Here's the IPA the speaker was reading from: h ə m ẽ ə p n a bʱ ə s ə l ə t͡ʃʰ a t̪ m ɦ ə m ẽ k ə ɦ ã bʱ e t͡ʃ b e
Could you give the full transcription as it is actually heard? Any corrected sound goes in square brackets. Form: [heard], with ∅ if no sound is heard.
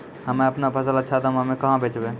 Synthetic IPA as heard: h ə m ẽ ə p n a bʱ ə s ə l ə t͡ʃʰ a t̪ m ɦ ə m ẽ k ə ɦ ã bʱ e t͡ʃ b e